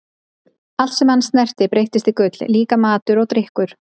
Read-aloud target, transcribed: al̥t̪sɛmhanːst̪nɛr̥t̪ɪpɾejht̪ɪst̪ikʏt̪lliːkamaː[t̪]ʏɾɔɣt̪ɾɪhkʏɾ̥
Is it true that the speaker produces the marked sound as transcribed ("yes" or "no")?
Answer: yes